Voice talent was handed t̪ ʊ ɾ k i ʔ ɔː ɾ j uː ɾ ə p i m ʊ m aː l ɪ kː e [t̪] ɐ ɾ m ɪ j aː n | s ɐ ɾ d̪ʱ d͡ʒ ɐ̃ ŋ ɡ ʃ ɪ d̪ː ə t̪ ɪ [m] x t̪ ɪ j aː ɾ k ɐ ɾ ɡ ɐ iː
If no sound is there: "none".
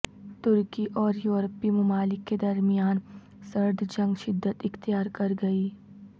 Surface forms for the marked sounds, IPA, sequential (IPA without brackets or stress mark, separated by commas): d̪, none